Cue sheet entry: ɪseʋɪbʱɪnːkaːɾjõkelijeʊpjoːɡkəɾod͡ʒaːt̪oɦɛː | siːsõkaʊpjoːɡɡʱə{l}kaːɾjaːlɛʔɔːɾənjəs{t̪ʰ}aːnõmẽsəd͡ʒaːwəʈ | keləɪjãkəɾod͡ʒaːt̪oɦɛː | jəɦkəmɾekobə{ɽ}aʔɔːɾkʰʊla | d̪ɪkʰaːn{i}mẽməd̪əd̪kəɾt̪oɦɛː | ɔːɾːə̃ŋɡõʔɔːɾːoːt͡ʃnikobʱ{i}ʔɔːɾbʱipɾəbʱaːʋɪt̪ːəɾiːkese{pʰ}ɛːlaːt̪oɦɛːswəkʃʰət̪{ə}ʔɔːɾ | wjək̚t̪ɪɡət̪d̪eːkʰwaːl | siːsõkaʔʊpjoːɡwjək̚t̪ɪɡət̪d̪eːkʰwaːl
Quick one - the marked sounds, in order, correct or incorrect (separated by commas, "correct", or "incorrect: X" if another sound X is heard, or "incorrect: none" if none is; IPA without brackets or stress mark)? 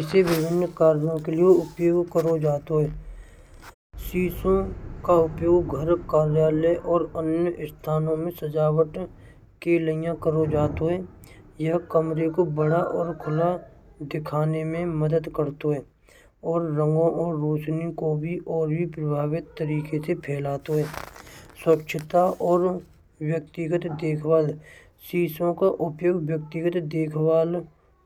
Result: incorrect: ɾ, correct, correct, incorrect: e, correct, correct, incorrect: a